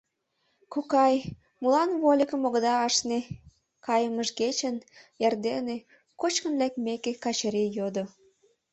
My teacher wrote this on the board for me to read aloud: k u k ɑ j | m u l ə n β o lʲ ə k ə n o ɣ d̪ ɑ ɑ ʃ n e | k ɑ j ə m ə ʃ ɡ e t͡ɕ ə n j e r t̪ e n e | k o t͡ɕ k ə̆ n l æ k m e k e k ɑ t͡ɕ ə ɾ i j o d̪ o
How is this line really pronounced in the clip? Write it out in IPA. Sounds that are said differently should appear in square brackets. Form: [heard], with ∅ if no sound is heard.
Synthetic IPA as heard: k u k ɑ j | m u l [ɑ] n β o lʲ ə k ə [m] o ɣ d̪ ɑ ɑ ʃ n e | k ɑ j ə m ə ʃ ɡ e t͡ɕ ə n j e r [d̪] e n e | k o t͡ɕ k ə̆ n l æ k m e k e k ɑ t͡ɕ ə ɾ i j o d̪ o

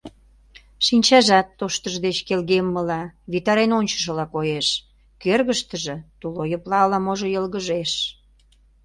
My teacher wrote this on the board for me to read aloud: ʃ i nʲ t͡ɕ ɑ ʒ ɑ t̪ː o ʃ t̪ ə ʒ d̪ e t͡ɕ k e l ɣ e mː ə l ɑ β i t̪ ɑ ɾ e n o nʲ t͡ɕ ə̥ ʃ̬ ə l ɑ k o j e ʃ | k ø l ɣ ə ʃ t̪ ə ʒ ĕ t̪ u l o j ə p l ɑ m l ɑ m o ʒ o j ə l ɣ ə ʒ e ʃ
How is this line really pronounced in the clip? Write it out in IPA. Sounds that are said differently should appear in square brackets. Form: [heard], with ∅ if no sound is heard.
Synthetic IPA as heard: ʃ i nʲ t͡ɕ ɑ ʒ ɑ t̪ː o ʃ t̪ ə ʒ d̪ e t͡ɕ k e l ɣ e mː ə l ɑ β i t̪ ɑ ɾ e n o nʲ t͡ɕ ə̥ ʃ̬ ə l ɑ k o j e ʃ | k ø [r] ɣ ə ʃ t̪ ə ʒ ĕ t̪ u l o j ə p l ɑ [∅] l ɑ m o ʒ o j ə l ɣ ə ʒ e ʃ

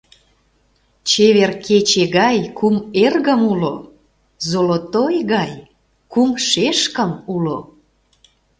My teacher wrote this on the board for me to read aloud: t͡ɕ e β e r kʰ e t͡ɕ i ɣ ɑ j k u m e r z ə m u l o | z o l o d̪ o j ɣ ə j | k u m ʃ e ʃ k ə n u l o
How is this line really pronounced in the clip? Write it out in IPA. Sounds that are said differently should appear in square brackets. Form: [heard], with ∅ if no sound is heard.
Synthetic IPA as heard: t͡ɕ e β e r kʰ e t͡ɕ [e] ɣ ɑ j k u m e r [ɣ] ə m u l o | z o l o [t̪] o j ɣ [ɑ] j | k u m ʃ e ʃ k ə [m] u l o

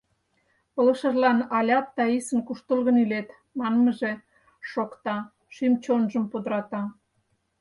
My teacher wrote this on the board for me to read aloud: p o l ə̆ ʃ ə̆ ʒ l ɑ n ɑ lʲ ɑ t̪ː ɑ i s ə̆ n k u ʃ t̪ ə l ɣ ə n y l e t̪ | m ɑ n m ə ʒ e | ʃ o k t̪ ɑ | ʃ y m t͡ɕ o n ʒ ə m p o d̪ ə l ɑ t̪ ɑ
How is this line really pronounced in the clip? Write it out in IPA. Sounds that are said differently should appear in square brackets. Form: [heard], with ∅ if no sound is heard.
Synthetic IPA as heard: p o l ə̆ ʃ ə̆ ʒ l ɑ n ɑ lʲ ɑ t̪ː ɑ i s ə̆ n k u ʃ t̪ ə l ɣ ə n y l e t̪ | m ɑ n m ə ʒ e | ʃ o k t̪ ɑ | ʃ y m t͡ɕ o n ʒ ə m p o d̪ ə [ɾ] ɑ t̪ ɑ

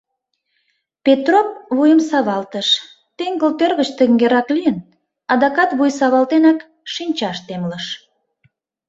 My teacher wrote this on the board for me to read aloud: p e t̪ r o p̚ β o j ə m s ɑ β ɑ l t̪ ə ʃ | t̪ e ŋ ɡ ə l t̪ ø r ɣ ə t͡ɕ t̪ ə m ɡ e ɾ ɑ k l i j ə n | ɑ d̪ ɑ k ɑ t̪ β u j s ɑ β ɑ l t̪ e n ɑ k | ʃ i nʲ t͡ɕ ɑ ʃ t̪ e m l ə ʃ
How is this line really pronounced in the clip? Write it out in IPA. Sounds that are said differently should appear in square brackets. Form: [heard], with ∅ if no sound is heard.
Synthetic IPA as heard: p e t̪ r o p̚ β [u] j ə m s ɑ β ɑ l t̪ ə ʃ | t̪ e ŋ ɡ ə l t̪ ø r ɣ ə t͡ɕ t̪ ə [ŋ] ɡ e ɾ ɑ k l i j ə n | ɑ d̪ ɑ k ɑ t̪ β u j s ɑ β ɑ l t̪ e n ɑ k | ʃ i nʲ t͡ɕ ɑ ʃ t̪ e m l ə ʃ

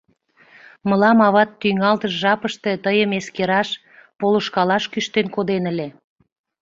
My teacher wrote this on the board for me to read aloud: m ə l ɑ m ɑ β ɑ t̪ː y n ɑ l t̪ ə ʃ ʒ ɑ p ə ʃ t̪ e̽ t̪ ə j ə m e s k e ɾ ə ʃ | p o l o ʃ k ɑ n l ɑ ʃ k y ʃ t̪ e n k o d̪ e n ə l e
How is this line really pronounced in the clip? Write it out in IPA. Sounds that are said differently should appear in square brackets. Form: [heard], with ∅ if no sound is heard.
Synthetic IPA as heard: m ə l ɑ m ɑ β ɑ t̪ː y [ŋ] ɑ l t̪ ə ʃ ʒ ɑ p ə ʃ t̪ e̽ t̪ ə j ə m e s k e ɾ [ɑ] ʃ | p o l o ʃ k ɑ [∅] l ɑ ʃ k y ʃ t̪ e n k o d̪ e n ə l e

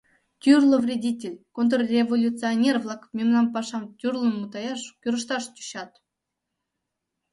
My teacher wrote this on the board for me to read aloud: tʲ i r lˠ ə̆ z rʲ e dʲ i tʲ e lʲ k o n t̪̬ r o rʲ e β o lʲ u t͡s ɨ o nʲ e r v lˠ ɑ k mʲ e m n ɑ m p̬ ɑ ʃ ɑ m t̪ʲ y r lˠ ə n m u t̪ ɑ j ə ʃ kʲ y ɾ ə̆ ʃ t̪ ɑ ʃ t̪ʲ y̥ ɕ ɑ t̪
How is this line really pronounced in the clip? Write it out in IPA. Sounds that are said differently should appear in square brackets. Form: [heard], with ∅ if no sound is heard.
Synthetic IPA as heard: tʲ [y] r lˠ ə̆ [v] rʲ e dʲ i tʲ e lʲ k o n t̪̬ r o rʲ e [v] o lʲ u t͡s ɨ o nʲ e r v lˠ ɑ k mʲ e m n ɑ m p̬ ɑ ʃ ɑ m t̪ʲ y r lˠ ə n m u t̪ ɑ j [ɑ] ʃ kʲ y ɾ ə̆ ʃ t̪ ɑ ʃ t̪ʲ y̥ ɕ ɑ t̪

